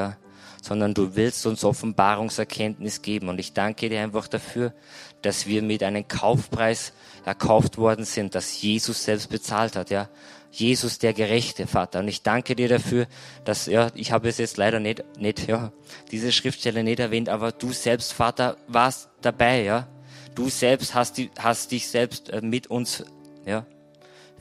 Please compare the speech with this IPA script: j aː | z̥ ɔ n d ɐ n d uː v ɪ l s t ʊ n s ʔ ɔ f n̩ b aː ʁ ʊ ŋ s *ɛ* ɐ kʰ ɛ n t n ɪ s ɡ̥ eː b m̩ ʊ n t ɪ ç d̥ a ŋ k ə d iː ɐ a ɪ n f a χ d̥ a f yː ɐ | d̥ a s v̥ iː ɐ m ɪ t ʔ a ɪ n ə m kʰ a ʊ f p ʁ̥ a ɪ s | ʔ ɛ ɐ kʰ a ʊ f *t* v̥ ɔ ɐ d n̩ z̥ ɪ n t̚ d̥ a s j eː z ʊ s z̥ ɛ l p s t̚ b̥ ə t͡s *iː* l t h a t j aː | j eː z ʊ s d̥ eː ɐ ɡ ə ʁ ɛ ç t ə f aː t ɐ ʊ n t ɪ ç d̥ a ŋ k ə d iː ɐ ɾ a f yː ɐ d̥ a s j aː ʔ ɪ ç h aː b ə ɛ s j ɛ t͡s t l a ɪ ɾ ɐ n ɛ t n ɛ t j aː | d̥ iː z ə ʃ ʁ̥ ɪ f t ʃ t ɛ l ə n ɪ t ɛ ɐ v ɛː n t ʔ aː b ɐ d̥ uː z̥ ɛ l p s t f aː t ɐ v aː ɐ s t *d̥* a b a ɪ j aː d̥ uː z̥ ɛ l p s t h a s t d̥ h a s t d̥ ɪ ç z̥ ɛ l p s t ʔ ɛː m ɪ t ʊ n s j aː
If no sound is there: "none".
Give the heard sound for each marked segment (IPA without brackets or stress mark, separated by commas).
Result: ɛ, t, aː, d̥